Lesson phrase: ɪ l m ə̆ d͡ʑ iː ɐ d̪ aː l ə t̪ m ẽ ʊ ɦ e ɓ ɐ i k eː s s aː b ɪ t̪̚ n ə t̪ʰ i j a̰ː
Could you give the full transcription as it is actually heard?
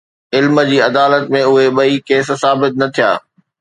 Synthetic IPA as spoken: ɪ l m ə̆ d͡ʑ iː ɐ d̪ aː l ə t̪ m ẽ ʊ ɦ e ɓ ɐ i k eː s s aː b ɪ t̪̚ n ɐ t̪ʰ i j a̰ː